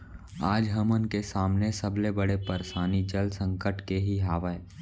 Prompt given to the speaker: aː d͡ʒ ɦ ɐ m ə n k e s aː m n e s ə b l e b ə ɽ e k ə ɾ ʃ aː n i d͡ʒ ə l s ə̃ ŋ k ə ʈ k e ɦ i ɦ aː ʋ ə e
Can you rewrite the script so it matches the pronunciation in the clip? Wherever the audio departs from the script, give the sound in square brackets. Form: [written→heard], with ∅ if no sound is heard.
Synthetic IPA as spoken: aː d͡ʒ ɦ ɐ m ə n k e s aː m n e s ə b l e b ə ɽ e [k→p] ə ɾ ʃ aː n i d͡ʒ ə l s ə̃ ŋ k ə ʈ k e ɦ i ɦ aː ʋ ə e